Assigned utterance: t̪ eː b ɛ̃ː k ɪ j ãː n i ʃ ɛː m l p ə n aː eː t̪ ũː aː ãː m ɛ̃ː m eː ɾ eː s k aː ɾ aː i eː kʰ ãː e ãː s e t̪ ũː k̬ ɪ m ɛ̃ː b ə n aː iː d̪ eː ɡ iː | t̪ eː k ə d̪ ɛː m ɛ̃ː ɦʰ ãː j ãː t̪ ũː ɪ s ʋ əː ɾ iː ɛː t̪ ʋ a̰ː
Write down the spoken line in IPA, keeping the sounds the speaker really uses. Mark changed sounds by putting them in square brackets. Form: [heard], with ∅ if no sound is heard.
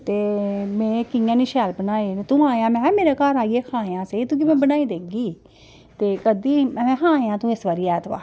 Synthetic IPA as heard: t̪ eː [m] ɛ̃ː k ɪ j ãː n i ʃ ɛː [∅] l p ə n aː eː t̪ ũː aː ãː m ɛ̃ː m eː ɾ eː [∅] k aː ɾ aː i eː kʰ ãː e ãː s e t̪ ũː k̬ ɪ m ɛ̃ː b ə n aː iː d̪ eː ɡ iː | t̪ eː k ə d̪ [iː] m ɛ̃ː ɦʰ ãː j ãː t̪ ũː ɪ s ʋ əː ɾ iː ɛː t̪ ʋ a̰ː

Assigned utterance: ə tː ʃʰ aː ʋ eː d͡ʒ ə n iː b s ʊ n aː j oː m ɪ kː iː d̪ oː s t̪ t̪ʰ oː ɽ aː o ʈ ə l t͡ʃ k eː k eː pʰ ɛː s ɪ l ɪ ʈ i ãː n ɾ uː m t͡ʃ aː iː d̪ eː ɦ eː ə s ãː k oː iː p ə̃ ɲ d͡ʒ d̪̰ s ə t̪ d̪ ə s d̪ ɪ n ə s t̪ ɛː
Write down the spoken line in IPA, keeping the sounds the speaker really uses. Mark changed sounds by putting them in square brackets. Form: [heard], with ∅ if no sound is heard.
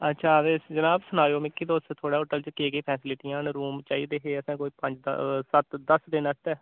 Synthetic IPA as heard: ə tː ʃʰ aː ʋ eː d͡ʒ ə n [aː] b s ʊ n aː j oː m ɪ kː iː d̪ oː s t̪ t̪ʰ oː ɽ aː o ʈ ə l t͡ʃ k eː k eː pʰ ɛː s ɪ l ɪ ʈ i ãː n ɾ uː m t͡ʃ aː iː d̪ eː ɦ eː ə s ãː k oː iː p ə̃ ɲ d͡ʒ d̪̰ s ə t̪ d̪ ə s d̪ ɪ n ə s t̪ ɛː

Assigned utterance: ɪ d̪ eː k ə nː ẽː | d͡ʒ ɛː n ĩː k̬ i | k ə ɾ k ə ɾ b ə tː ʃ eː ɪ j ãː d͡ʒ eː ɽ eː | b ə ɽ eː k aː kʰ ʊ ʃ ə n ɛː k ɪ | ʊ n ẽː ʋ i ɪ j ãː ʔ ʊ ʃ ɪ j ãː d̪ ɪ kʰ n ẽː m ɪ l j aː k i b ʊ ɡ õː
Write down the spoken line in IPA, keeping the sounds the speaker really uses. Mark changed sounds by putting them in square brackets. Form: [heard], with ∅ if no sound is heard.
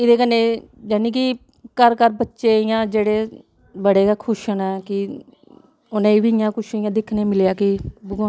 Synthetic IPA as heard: ɪ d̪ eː k ə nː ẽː | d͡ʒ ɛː n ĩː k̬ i | k ə ɾ k ə ɾ b ə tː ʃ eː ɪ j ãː d͡ʒ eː ɽ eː | b ə ɽ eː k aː kʰ ʊ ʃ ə n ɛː k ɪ | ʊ n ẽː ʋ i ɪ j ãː [k] ʊ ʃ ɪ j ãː d̪ ɪ kʰ n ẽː m ɪ l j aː k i b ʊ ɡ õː

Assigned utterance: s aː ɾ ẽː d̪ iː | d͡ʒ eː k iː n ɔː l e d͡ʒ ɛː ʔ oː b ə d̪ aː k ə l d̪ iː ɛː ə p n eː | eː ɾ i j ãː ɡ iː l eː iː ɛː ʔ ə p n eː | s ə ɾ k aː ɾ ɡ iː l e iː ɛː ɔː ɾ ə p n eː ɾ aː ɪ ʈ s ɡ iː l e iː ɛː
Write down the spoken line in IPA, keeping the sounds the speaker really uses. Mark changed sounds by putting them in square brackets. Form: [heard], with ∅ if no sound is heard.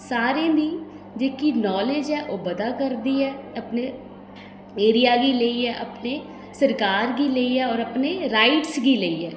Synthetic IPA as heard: s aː ɾ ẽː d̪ iː | d͡ʒ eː k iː n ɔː l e d͡ʒ ɛː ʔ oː b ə d̪ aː k ə [ɾ] d̪ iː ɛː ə p n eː | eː ɾ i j [aː] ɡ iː l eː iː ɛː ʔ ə p n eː | s ə ɾ k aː ɾ ɡ iː l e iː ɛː ɔː ɾ ə p n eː ɾ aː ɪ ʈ s ɡ iː l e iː ɛː

